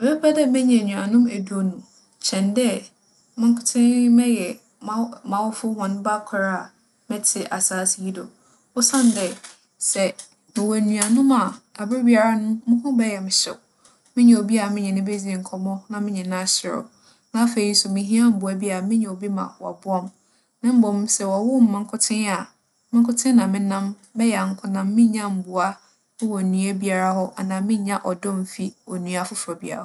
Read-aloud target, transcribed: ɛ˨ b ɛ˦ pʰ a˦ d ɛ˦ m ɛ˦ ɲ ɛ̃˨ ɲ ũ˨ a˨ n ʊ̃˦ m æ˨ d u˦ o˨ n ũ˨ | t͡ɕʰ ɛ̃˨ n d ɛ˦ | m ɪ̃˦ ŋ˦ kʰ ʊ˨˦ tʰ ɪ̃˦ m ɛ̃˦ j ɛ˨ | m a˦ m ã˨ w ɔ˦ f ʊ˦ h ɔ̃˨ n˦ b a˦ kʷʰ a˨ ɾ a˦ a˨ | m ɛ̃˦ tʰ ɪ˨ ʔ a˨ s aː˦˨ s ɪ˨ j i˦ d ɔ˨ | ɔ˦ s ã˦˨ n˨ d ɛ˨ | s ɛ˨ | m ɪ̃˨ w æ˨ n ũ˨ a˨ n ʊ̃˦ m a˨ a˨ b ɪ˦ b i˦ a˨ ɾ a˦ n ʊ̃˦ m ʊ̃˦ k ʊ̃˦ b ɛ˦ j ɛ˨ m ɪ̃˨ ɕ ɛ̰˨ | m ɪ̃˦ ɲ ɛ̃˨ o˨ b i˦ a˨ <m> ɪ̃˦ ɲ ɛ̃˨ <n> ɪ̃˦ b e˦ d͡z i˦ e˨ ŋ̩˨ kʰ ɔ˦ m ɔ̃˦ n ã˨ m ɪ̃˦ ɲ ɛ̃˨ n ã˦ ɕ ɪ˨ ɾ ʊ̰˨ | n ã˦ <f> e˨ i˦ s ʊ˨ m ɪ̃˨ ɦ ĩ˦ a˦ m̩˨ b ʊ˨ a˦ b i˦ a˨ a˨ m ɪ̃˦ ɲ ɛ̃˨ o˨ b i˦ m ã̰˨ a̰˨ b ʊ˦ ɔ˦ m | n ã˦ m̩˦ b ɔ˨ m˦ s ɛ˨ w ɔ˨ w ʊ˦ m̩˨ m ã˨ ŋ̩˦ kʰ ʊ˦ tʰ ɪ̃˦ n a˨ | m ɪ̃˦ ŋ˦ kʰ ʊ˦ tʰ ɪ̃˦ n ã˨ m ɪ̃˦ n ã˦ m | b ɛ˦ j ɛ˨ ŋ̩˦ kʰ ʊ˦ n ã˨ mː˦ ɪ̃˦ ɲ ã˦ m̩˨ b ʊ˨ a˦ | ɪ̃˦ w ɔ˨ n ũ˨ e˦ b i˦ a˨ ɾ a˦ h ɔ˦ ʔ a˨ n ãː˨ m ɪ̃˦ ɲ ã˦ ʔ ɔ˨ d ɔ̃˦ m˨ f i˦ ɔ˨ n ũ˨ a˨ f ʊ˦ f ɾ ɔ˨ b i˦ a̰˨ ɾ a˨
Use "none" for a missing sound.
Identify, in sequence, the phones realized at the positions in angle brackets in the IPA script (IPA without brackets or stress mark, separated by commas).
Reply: m, n, f